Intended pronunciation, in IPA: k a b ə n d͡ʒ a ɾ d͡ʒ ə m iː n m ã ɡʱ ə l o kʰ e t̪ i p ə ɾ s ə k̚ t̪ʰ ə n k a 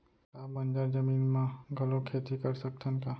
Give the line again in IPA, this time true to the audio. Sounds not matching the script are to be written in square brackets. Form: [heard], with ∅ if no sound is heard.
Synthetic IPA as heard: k a b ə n d͡ʒ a ɾ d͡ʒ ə m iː n m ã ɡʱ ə l o kʰ e t̪ i [k] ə ɾ s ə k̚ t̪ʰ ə n k a